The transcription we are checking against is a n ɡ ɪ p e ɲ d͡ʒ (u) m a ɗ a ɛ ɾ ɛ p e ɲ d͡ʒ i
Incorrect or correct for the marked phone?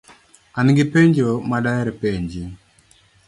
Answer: incorrect: o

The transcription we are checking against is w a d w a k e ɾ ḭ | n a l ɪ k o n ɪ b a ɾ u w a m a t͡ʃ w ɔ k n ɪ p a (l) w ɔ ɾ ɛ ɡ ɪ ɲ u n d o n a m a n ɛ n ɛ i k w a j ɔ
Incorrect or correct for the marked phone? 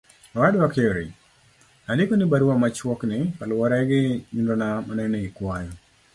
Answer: correct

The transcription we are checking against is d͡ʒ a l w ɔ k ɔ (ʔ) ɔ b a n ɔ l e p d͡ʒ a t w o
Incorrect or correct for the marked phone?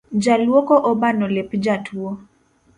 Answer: correct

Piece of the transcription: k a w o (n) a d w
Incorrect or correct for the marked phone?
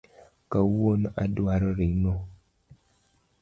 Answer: correct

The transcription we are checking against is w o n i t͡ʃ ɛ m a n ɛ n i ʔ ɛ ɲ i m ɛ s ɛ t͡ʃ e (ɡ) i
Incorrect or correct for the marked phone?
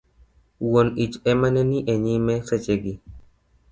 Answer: correct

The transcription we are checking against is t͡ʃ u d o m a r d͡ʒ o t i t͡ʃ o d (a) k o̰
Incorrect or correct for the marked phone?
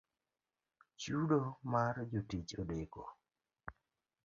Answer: incorrect: e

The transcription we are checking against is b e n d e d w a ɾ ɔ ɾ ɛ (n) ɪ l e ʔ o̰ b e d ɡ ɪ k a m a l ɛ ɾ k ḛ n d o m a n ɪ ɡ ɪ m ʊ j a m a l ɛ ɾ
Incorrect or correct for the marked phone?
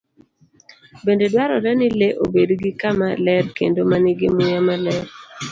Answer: correct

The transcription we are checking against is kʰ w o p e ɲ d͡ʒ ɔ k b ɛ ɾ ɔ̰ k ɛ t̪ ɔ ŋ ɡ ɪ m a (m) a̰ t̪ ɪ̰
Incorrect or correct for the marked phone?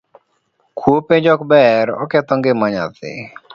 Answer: incorrect: ɲ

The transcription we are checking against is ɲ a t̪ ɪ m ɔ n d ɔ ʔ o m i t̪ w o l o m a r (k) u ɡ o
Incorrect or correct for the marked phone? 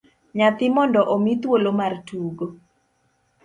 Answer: incorrect: t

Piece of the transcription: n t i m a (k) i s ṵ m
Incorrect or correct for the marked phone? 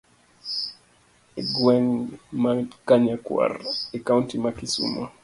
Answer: correct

